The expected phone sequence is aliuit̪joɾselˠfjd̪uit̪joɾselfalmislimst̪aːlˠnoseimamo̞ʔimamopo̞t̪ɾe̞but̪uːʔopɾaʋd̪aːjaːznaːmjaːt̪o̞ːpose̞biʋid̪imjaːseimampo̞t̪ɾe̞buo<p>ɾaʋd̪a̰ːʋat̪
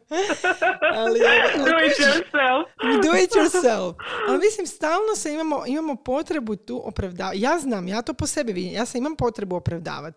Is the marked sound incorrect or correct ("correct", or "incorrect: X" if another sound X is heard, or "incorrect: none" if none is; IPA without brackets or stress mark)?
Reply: correct